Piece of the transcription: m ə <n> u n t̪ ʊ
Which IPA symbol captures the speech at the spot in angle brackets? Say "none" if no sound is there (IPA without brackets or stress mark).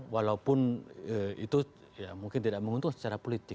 ŋ